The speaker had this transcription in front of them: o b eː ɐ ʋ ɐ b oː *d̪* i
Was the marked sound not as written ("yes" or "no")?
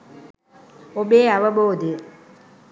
no